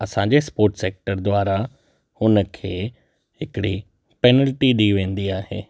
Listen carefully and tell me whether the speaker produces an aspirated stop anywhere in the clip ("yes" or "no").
yes